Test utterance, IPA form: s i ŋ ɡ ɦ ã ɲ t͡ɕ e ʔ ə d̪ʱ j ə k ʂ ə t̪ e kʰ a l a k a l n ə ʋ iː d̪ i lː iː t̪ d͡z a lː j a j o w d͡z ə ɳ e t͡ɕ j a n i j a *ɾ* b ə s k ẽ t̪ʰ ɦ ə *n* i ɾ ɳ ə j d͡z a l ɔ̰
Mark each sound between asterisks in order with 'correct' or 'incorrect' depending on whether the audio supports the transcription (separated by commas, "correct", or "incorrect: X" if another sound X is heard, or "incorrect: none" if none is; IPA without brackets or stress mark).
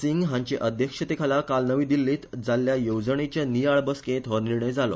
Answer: incorrect: ɭ, correct